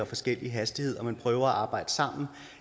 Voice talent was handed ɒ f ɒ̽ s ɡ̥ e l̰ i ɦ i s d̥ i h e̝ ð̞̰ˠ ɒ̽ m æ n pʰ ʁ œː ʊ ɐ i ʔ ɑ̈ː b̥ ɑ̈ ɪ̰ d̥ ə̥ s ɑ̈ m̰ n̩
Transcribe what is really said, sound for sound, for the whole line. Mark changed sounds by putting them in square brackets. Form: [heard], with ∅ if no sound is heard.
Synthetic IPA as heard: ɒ f ɒ̽ s ɡ̥ e l̰ i ɦ [æ] s d̥ i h e̝ ð̞̰ˠ ɒ̽ m æ n pʰ ʁ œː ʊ ɐ [æ] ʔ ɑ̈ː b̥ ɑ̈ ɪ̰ d̥ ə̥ s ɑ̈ m̰ n̩